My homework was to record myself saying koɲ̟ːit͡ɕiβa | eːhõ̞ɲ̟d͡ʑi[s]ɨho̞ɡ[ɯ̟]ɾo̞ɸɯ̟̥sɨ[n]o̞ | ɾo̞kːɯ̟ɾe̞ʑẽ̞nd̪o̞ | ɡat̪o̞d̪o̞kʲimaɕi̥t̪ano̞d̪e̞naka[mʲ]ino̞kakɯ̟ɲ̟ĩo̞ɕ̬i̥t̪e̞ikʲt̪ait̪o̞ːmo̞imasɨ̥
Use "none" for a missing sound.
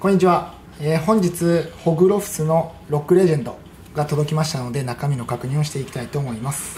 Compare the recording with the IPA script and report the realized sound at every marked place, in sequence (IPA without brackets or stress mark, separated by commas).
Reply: t͡s, ɯ̟, n, mʲ